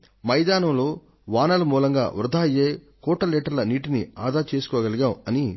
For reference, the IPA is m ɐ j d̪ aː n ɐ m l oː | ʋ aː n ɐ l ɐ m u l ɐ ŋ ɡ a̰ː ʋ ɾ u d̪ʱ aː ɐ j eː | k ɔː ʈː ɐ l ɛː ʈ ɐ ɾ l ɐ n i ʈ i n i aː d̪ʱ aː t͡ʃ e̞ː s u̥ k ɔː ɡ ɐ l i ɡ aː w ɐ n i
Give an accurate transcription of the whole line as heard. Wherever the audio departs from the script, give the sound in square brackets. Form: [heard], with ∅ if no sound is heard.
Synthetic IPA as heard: m ɐ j d̪ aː n ɐ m l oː | ʋ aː n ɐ l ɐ m [uː] l ɐ ŋ ɡ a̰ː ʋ ɾ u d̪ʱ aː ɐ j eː | k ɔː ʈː ɐ l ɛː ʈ ɐ ɾ l ɐ n [iː] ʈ i n i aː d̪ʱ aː t͡ʃ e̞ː s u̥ k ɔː ɡ ɐ l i ɡ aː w ɐ n i